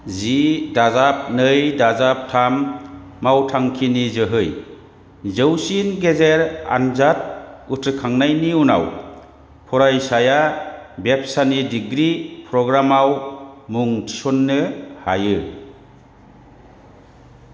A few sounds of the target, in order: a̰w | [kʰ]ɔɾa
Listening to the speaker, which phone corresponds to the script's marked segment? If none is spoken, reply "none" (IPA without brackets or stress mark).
pʰ